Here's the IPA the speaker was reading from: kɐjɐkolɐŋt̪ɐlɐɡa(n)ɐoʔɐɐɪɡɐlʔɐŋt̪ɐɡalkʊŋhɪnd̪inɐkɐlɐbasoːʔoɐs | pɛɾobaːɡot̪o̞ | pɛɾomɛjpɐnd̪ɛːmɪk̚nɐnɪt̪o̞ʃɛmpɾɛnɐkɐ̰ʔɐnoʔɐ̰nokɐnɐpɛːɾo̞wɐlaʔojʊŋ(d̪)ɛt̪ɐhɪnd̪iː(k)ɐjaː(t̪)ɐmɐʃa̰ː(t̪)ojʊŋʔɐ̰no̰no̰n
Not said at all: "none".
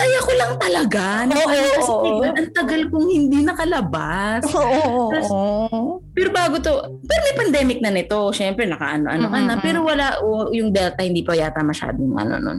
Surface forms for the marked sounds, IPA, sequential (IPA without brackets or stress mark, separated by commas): n, d̪, p, t̪, d̪